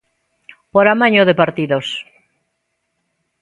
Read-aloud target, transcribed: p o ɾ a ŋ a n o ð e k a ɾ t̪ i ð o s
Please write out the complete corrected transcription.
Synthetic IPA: p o ɾ a m a ɲ o ð e p a ɾ t̪ i ð o s